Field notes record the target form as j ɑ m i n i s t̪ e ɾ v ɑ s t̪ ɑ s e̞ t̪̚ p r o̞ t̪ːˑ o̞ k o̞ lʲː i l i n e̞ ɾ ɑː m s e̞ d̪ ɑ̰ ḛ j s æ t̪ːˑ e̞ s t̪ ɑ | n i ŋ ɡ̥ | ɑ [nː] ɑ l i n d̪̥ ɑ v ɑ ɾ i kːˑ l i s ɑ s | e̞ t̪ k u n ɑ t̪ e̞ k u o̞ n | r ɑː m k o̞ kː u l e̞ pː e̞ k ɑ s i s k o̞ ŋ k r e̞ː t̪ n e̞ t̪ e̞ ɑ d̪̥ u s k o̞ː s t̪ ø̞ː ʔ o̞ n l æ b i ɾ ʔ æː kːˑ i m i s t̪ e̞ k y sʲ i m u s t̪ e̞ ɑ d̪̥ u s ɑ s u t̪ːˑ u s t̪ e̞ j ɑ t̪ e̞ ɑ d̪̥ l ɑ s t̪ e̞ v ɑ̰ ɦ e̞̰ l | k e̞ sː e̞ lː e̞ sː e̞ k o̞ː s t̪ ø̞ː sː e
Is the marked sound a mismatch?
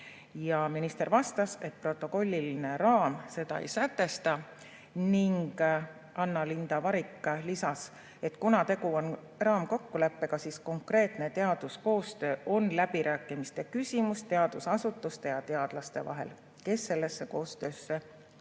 no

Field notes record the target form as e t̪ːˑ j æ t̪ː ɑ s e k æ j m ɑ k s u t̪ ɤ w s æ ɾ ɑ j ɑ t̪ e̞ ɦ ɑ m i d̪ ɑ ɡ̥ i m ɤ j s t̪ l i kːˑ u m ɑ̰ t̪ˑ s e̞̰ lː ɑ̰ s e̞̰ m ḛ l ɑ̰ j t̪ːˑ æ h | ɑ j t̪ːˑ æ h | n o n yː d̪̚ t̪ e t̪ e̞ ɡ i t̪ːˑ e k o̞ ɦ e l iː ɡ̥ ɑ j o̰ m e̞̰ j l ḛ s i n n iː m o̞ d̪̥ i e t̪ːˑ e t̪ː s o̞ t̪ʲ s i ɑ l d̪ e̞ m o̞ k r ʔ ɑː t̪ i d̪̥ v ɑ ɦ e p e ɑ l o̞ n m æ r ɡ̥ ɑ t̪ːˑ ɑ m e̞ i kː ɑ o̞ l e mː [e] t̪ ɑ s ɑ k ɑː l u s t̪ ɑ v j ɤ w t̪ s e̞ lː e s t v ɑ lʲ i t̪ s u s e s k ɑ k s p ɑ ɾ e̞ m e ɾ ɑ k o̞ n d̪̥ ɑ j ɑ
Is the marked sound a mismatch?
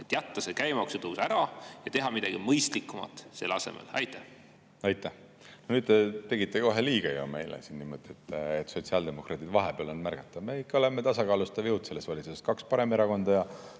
no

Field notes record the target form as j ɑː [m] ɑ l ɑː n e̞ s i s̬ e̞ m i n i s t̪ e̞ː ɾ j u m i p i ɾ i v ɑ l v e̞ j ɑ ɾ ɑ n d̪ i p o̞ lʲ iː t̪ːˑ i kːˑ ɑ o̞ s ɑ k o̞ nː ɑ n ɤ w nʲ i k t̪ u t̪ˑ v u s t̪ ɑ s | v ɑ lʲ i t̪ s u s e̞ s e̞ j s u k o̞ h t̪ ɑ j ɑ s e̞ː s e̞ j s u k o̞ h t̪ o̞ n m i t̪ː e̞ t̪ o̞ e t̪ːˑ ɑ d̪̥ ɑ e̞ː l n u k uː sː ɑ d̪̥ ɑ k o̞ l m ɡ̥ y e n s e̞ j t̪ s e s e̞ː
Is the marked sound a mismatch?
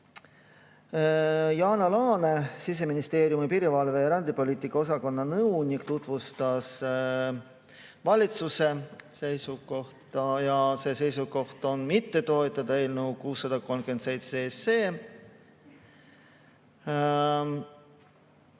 yes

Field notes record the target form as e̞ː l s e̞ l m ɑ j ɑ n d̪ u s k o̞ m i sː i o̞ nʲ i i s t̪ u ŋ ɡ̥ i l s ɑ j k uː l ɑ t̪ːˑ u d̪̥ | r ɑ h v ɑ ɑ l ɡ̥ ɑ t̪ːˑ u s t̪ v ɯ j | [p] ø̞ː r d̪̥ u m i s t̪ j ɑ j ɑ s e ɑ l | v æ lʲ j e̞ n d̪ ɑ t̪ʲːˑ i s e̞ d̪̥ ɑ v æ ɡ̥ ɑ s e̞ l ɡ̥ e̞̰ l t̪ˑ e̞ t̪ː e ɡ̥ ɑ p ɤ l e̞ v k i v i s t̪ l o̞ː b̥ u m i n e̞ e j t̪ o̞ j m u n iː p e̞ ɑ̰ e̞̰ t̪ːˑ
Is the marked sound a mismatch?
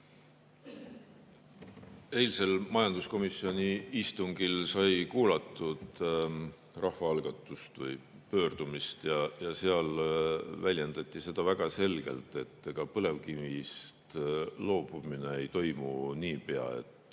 no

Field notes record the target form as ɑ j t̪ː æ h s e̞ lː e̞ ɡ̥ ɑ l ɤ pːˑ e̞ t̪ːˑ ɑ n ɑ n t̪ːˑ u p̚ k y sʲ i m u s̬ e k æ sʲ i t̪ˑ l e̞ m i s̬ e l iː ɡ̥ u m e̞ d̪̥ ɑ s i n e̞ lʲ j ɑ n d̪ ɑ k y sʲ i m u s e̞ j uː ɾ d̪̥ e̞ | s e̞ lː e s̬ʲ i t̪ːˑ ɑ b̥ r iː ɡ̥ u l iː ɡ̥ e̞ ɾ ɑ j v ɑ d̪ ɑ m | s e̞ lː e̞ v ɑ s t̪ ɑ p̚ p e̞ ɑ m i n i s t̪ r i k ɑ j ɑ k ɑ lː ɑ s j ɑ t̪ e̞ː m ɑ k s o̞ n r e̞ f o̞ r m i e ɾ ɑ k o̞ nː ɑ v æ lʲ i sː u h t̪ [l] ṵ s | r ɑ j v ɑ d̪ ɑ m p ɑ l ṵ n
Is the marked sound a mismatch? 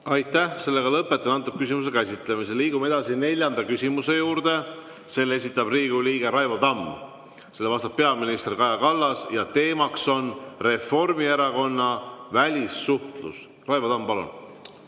no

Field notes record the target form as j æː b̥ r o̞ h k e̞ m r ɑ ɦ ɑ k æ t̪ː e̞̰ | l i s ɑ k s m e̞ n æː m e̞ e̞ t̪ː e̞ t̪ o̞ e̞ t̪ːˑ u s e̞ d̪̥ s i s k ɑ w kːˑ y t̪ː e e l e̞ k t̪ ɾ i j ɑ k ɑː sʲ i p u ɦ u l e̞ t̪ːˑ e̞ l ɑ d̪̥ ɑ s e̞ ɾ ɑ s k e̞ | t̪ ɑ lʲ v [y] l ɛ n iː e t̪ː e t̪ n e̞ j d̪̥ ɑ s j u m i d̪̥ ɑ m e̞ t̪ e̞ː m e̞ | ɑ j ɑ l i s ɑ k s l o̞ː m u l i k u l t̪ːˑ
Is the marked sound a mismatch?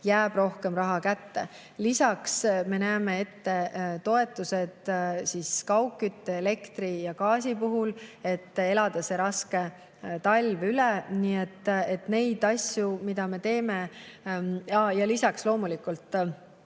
no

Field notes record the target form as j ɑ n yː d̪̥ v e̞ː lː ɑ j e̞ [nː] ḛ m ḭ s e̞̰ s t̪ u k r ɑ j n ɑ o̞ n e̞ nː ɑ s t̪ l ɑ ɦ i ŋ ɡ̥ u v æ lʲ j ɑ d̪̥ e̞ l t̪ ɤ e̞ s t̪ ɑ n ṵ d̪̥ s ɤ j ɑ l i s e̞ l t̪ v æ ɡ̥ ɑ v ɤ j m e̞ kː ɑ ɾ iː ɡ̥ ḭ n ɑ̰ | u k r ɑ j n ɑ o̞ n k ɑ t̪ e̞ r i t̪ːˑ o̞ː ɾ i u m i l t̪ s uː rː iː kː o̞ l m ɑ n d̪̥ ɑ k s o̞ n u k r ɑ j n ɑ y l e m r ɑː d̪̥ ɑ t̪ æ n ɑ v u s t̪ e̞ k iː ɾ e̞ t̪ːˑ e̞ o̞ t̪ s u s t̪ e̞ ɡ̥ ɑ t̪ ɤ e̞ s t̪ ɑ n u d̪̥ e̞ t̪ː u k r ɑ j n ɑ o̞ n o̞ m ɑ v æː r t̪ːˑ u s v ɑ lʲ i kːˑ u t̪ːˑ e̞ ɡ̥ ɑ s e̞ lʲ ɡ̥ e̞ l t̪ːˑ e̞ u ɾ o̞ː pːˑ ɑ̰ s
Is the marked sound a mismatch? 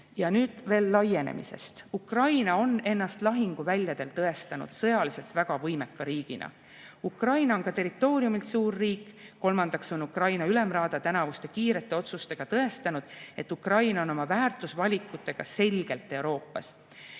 yes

